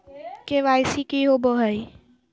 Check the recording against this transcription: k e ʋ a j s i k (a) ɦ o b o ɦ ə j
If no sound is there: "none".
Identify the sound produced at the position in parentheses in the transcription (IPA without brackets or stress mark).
i